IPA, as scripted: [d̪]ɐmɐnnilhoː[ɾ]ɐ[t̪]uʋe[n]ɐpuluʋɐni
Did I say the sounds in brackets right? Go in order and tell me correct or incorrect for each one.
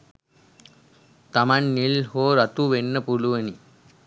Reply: incorrect, correct, correct, incorrect

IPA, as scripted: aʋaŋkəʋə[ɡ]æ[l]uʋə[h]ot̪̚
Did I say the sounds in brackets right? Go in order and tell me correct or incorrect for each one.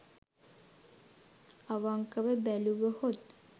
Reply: incorrect, correct, correct

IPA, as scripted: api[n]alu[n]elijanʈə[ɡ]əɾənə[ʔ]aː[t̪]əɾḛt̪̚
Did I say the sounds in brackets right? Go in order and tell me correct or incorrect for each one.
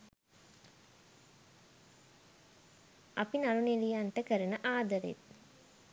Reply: correct, correct, incorrect, correct, incorrect

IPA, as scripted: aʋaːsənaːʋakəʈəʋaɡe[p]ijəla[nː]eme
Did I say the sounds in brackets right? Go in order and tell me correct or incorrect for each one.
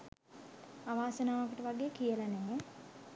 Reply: incorrect, incorrect

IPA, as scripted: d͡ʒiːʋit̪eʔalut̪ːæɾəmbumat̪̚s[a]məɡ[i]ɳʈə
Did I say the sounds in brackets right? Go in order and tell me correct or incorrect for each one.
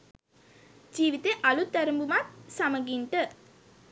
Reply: correct, correct

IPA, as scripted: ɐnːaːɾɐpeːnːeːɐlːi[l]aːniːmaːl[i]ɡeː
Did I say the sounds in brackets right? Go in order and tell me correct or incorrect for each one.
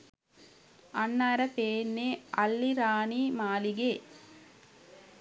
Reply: incorrect, correct

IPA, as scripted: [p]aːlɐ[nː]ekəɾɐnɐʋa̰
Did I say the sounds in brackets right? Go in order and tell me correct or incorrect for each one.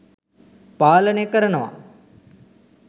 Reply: correct, incorrect

